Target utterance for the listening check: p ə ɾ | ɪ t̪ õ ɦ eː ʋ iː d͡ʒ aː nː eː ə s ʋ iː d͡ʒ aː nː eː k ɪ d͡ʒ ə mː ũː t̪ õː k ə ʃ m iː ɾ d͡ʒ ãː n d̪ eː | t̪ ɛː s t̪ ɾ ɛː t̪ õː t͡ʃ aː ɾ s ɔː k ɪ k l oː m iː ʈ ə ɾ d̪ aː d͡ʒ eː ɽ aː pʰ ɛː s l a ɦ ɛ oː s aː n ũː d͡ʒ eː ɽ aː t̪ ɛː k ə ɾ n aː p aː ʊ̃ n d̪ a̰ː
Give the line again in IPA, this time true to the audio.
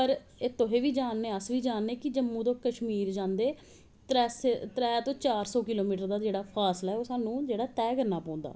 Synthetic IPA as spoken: p ə ɾ | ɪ t̪ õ ɦ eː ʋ iː d͡ʒ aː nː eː ə s ʋ iː d͡ʒ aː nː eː k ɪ d͡ʒ ə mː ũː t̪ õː k ə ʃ m iː ɾ d͡ʒ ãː n d̪ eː | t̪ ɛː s t̪ ɾ ɛː t̪ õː t͡ʃ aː ɾ s ɔː k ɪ l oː m iː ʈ ə ɾ d̪ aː d͡ʒ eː ɽ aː pʰ aː s l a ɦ ɛ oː s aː n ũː d͡ʒ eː ɽ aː t̪ ɛː k ə ɾ n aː p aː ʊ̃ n d̪ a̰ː